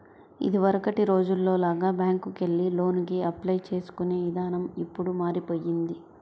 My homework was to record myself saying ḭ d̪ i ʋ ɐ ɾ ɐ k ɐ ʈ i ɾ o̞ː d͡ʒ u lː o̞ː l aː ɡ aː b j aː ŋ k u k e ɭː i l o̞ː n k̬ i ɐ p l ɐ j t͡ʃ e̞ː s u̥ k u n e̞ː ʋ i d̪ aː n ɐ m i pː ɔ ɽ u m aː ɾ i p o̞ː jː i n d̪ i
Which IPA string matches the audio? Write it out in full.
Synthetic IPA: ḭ d̪ i ʋ ɐ ɾ ɐ k ɐ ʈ i ɾ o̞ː d͡ʒ u lː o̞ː l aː ɡ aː b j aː ŋ k u k e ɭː i l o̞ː n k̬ i ɐ p l ɐ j t͡ʃ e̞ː s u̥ k u n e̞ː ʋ i d̪ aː n ɐ m i pː u ɽ u m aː ɾ i p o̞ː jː i n d̪ i